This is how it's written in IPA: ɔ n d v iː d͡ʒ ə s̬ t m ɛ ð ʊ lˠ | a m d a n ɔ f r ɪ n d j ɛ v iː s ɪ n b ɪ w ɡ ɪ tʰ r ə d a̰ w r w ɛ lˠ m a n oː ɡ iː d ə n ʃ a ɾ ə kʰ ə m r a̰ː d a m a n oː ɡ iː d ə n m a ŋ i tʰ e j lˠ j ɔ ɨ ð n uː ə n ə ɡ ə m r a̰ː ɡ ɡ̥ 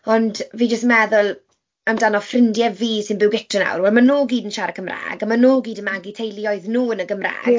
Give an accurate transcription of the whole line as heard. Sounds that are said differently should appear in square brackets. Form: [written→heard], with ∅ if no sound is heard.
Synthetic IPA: ɔ n d v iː d͡ʒ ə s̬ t m ɛ ð ʊ lˠ | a m d a n ɔ f r ɪ n d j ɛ v iː s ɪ n b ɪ w ɡ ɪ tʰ r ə [d→n] a̰ w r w ɛ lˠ m a n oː ɡ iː d ə n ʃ a ɾ ə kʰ ə m r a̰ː [d→ɡ] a m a n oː ɡ iː d ə n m a [ŋ→ɡ] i tʰ e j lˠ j ɔ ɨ ð n uː ə n ə ɡ ə m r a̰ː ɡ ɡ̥